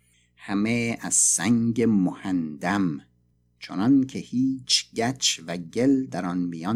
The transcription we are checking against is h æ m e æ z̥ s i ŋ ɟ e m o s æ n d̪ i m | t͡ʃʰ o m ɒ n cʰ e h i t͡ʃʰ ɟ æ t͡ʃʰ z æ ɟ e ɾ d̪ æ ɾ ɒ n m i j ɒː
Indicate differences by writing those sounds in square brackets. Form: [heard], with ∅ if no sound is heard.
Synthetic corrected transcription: h æ m e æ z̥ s [æ] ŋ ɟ e m o [h] æ n d̪ [æ] m | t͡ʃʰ o [n] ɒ n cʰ e h [iː] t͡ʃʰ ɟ æ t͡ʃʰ [v] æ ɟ e [l] d̪ æ ɾ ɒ n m i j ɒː